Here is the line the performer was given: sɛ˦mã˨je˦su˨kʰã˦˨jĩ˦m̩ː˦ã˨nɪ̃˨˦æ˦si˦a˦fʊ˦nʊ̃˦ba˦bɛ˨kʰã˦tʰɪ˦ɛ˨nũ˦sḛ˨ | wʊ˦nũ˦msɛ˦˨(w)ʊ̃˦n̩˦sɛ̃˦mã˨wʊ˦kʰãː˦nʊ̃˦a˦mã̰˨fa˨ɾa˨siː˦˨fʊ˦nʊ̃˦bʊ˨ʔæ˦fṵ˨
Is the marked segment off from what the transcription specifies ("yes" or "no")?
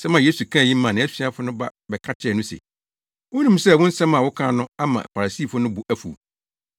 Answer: no